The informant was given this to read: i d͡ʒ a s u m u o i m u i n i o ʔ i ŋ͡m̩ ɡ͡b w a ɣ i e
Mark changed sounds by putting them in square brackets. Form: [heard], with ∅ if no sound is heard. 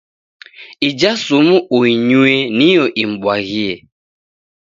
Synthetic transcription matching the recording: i d͡ʒ a s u m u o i [ɲ] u [e] n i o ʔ i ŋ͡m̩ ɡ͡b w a ɣ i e

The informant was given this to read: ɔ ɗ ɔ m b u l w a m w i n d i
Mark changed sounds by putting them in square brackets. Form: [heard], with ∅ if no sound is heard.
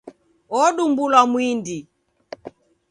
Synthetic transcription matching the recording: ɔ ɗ [u] m b u l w a m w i n d i

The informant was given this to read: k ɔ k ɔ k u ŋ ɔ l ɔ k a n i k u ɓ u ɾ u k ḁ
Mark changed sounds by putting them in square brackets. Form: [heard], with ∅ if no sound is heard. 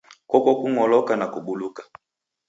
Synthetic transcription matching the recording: k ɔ k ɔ k u ŋ ɔ l ɔ k a n [a] k u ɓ u [l] u k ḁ

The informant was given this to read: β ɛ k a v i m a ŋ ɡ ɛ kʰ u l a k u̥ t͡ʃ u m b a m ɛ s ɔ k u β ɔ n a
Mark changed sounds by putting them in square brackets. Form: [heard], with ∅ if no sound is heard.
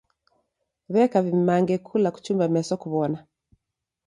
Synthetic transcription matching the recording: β ɛ k a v i m a ŋ ɡ ɛ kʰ u l a k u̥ t͡ʃ u m b a m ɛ s ɔ k u β ɔ n a

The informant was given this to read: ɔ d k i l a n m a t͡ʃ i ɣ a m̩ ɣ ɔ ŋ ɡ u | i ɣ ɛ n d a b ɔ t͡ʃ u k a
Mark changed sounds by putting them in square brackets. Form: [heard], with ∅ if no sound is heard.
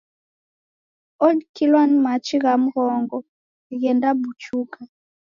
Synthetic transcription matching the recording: ɔ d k i l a n m a t͡ʃ i ɣ a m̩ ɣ ɔ ŋ ɡ [ɔ] | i ɣ ɛ n d a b [u] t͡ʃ u k a

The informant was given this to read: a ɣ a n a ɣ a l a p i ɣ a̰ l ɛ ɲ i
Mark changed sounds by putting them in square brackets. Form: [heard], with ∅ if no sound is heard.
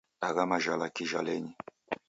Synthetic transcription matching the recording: a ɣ a [m] a [ʒ] a l a [k] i [ʒ] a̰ l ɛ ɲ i

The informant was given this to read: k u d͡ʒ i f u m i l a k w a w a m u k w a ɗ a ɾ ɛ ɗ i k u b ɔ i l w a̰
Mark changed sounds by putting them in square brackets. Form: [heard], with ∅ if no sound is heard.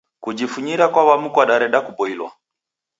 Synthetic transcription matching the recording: k u d͡ʒ i f u [ɲ] i [ɾ] a k w a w a m u k w a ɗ a ɾ ɛ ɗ [a] k u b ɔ i l w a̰

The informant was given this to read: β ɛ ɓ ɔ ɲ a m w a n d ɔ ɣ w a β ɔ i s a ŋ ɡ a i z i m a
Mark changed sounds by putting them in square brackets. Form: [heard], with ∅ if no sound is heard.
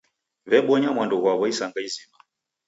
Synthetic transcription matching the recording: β ɛ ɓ ɔ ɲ a m w a n d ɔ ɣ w a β ɔ i s a ŋ ɡ a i z i m a

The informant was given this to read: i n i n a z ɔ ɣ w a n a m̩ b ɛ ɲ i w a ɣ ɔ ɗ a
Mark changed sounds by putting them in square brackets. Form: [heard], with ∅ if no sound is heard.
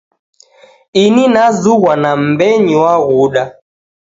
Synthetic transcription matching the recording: i n i n a z [u] ɣ w a n a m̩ b ɛ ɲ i w a ɣ [u] ɗ a

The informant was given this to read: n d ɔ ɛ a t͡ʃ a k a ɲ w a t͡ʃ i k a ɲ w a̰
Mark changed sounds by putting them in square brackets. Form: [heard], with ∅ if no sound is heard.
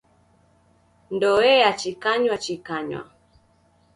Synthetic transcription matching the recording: n d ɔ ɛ a t͡ʃ [i] k a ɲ w a t͡ʃ i k a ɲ w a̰

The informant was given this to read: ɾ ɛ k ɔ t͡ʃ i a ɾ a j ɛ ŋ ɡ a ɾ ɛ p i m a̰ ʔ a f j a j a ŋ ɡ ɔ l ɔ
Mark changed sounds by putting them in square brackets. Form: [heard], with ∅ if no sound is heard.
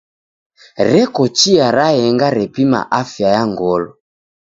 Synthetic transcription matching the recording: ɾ ɛ k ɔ t͡ʃ i a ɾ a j ɛ ŋ ɡ a ɾ ɛ p i m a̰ ʔ a f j a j a ŋ ɡ ɔ l ɔ

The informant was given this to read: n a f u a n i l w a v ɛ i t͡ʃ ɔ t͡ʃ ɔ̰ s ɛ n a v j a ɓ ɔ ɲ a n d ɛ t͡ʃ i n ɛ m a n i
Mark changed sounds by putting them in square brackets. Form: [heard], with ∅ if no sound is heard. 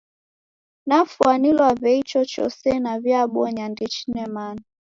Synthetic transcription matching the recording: n a f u a n i l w a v ɛ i t͡ʃ ɔ t͡ʃ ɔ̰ s ɛ n a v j a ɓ ɔ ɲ a n d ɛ t͡ʃ i n ɛ m a n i

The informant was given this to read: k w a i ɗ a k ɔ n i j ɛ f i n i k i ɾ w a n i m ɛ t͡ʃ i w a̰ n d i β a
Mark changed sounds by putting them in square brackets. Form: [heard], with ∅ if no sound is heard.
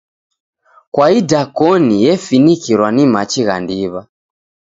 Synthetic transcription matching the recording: k w a i [d] a k ɔ n i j ɛ f i n i k i ɾ w a n i m [a] t͡ʃ i [ɣ] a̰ n d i β a

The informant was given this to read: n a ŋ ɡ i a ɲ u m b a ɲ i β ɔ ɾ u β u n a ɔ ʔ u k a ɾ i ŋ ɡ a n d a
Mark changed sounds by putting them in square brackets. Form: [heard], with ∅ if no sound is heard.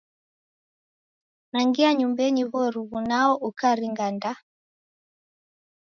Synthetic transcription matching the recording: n a ŋ ɡ i a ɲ u m b [ɛ] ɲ i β ɔ ɾ u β u n a ɔ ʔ u k a ɾ i ŋ ɡ a n d a

